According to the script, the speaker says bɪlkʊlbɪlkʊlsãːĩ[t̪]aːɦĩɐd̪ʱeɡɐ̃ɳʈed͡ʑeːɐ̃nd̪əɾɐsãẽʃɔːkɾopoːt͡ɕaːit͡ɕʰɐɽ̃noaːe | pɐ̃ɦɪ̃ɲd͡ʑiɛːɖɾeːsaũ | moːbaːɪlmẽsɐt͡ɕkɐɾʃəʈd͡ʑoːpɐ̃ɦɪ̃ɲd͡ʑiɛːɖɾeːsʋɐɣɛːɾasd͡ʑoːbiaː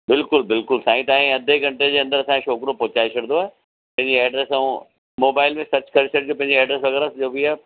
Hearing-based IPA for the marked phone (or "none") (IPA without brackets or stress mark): t̪